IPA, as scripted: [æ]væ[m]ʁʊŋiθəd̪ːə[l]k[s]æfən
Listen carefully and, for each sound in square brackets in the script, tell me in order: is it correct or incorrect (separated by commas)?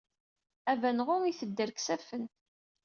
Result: correct, incorrect, incorrect, correct